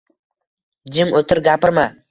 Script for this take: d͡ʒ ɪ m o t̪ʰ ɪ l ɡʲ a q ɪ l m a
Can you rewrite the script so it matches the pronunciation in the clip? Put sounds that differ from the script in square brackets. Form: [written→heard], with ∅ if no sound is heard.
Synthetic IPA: d͡ʒ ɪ m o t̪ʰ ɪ [l→ɾ] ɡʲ a [q→p] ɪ [l→ɾ] m a

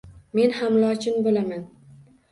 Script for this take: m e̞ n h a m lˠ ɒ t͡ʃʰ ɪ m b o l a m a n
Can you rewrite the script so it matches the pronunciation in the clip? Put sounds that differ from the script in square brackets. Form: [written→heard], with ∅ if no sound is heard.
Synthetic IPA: m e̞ n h a m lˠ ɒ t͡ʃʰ ɪ [m→n] b o l a m a n

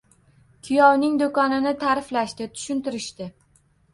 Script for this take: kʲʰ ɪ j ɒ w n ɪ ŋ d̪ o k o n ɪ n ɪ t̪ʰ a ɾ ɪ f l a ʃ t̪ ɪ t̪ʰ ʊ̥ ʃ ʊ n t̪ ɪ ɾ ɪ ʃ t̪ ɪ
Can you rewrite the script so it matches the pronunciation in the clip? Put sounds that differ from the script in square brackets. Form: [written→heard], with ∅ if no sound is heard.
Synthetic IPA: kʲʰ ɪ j ɒ w n ɪ ŋ d̪ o k [o→ɒ] n ɪ n ɪ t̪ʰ a ɾ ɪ f l a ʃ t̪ ɪ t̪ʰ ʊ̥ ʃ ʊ n t̪ ɪ ɾ ɪ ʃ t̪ ɪ

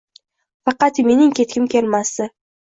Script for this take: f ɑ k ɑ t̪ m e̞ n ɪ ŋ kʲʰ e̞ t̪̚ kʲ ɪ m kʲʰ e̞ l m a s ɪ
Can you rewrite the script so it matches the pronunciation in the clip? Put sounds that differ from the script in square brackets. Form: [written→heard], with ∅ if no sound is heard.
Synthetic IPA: f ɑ [k→q] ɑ t̪ m e̞ n ɪ ŋ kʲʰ e̞ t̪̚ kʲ ɪ m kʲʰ e̞ l m a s ɪ

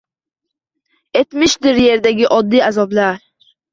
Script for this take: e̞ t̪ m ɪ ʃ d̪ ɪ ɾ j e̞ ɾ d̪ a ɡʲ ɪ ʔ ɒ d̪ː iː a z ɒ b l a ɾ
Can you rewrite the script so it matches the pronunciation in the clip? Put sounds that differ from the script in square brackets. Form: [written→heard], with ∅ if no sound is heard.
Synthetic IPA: e̞ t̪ m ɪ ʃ d̪ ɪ ɾ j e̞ ɾ d̪ a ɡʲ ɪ ʔ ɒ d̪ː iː a z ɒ b l a ɾ

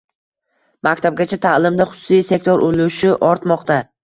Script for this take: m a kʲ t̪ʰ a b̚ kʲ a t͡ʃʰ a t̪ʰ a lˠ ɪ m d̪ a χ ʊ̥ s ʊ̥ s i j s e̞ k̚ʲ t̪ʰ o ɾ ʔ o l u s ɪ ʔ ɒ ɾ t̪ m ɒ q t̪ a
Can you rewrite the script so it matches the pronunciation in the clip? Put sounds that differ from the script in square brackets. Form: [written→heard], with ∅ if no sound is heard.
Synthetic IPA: m a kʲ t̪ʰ a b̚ [kʲ→ɡʲ] a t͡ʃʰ a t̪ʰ a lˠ ɪ m d̪ a χ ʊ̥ s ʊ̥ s i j s e̞ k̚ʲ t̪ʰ o ɾ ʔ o l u [s→ʃ] ɪ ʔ ɒ ɾ t̪ m ɒ q t̪ a

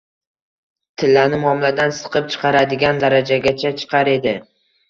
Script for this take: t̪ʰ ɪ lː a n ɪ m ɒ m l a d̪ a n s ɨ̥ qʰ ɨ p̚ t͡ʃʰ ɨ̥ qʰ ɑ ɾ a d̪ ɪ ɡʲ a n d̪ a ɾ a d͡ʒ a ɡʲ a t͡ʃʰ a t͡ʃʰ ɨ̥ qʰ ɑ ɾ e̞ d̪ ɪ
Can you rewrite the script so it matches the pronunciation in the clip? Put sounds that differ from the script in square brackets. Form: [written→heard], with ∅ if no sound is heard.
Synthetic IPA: t̪ʰ ɪ lː a n ɪ m ɒ m l a d̪ a n s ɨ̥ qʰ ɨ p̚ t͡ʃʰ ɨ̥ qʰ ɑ ɾ a d̪ ɪ ɡʲ a n d̪ a ɾ a d͡ʒ a ɡʲ a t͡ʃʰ a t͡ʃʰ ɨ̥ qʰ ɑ ɾ e̞ d̪ ɪ

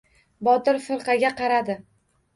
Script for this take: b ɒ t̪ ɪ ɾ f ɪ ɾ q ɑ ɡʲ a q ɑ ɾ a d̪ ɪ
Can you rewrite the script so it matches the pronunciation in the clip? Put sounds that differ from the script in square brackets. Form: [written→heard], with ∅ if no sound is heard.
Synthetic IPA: b ɒ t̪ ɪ ɾ f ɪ ɾ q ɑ ɡʲ a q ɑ ɾ a d̪ ɪ

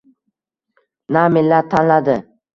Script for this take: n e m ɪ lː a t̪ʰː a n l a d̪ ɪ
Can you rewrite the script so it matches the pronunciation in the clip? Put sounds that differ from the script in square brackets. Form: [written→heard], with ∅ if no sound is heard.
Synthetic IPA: n [e→a] m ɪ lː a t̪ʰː a n l a d̪ ɪ

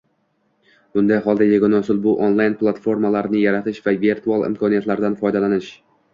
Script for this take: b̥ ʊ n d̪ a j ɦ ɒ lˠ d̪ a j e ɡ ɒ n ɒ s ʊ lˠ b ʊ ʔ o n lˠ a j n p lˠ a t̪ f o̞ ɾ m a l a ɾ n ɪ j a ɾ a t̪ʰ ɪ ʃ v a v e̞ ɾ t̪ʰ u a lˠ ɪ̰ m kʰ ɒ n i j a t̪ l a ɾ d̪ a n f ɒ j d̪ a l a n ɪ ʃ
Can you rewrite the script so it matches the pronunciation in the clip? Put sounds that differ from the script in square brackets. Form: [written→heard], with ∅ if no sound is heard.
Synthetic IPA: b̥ ʊ n d̪ a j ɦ ɒ lˠ d̪ a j e ɡ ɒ n ɒ s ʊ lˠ b ʊ ʔ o n lˠ a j n p lˠ a t̪ f o̞ ɾ m a l a ɾ n ɪ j a ɾ a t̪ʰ ɪ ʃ v a v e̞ ɾ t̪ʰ u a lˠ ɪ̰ m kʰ ɒ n i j a t̪ l a ɾ d̪ a n f ɒ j d̪ a l a n ɪ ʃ

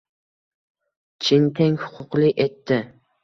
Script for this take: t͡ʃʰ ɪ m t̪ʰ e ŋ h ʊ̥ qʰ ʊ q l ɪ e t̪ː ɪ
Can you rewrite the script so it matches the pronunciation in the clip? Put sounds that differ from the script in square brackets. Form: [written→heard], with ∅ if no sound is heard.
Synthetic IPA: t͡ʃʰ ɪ [m→n] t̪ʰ e ŋ h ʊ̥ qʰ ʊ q l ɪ e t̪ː ɪ

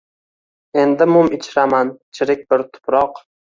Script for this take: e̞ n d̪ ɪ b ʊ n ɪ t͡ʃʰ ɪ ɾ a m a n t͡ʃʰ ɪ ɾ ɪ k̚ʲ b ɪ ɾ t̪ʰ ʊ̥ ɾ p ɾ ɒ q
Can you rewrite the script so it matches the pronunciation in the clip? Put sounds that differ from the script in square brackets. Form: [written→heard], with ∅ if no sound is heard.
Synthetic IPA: e̞ n d̪ ɪ [b→m] ʊ [n→m] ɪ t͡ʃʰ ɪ ɾ a m a n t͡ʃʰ ɪ ɾ ɪ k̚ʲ b ɪ ɾ t̪ʰ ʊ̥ [ɾ→∅] p ɾ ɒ q

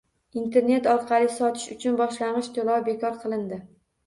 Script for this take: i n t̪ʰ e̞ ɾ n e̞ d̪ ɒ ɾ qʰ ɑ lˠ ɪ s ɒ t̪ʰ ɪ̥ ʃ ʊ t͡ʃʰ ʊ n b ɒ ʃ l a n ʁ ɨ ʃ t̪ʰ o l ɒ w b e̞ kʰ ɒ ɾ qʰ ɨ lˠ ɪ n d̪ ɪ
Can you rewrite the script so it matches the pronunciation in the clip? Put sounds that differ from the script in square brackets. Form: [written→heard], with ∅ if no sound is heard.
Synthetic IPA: i n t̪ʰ e̞ ɾ n e̞ [d̪→t̪] ɒ ɾ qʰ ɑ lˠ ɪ s ɒ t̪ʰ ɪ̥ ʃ ʊ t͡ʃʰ ʊ n b ɒ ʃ l a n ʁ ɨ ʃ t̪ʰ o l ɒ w b e̞ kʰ ɒ ɾ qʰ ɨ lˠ ɪ n d̪ ɪ

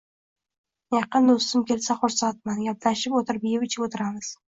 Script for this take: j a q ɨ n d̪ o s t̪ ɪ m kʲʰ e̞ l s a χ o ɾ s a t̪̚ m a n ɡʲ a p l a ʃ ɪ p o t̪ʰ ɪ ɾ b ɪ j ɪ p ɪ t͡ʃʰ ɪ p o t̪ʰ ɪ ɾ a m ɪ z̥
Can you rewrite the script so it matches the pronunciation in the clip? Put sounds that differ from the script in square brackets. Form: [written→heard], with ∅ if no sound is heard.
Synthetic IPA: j [a→ɑ] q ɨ n d̪ o s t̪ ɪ m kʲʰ e̞ l s a χ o ɾ s a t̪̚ m a n ɡʲ a p l a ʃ ɪ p o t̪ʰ ɪ ɾ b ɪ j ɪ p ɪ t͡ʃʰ ɪ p o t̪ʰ ɪ ɾ a m ɪ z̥

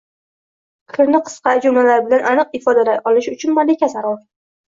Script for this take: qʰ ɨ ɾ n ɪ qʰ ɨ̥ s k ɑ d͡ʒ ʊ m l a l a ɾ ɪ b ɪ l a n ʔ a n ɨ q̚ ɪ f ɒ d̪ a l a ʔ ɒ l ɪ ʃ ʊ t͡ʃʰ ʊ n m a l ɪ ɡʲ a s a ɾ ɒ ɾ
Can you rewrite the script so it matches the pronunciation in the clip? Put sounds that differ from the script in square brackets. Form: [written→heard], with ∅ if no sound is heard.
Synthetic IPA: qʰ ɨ ɾ n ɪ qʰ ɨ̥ s [k→q] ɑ d͡ʒ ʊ m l a l a ɾ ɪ b ɪ l a n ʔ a n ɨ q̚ ɪ f ɒ d̪ a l a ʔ ɒ l ɪ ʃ ʊ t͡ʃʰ ʊ n m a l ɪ [ɡʲ→kʲ] a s a ɾ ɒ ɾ

